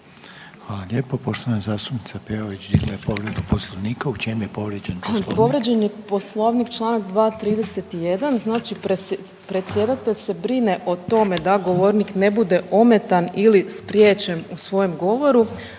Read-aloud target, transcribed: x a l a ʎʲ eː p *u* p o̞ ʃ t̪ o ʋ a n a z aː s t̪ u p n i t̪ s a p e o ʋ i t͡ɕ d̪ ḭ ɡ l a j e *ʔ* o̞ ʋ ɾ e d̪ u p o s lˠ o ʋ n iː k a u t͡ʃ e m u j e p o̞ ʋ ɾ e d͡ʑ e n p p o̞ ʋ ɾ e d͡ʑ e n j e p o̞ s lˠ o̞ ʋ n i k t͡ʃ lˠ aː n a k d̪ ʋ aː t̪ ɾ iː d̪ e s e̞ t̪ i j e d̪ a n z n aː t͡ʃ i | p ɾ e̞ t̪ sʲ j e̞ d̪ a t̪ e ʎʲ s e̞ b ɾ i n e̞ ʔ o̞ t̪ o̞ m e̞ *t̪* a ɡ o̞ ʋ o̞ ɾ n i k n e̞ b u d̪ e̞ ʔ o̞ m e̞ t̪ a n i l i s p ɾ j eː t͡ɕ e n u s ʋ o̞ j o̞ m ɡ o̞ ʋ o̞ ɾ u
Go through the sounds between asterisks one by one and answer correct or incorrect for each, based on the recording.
incorrect, incorrect, incorrect

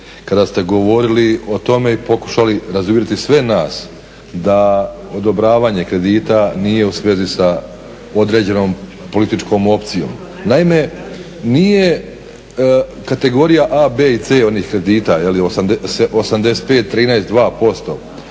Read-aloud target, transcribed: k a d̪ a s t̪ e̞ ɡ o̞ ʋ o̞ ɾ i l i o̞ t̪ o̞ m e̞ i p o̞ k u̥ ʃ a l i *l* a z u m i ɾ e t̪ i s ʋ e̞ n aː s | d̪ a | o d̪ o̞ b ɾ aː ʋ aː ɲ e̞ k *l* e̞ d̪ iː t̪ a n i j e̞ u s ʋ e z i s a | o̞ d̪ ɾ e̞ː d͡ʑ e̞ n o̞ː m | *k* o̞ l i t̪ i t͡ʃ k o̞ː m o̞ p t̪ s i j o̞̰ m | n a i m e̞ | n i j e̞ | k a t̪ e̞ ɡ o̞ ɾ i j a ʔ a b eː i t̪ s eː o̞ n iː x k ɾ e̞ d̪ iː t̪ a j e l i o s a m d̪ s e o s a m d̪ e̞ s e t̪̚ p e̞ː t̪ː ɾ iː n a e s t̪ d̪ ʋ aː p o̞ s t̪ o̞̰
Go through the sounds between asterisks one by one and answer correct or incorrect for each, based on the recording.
incorrect, incorrect, incorrect

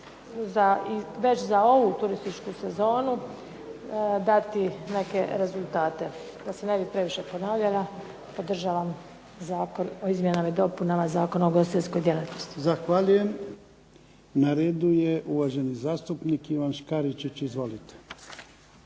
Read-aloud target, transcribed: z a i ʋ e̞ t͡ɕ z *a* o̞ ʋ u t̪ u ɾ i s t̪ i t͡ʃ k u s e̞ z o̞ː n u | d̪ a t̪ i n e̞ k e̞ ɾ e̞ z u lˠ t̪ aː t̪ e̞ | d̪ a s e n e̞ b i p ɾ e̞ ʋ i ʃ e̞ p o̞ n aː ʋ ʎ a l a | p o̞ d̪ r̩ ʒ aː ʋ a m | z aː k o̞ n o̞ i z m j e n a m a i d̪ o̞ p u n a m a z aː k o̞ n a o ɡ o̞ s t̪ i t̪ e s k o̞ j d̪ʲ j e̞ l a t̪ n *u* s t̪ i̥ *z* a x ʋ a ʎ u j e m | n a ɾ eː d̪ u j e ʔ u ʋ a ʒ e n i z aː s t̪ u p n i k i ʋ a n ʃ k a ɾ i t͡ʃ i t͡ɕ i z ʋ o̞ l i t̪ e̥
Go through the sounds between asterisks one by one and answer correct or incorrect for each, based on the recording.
correct, incorrect, correct

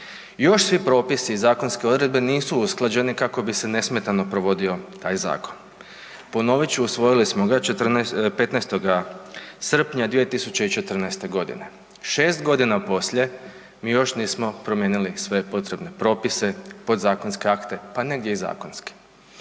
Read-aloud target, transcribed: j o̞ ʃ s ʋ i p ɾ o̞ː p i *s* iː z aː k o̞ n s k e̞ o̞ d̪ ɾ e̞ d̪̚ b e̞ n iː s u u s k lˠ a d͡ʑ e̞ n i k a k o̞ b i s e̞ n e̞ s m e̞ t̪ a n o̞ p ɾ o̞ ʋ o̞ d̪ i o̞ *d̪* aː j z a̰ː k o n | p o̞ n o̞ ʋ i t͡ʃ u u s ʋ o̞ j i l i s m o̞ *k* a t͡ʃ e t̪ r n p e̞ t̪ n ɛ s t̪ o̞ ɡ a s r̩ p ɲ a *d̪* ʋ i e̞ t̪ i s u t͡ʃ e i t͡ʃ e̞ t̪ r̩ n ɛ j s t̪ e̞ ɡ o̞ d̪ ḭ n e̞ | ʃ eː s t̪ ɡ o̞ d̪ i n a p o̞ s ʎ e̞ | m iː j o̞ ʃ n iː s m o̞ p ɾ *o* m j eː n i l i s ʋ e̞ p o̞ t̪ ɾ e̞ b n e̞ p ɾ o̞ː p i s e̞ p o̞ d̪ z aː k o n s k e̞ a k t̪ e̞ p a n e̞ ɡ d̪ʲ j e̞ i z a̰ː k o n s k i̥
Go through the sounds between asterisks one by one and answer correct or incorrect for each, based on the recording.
correct, incorrect, incorrect, correct, correct

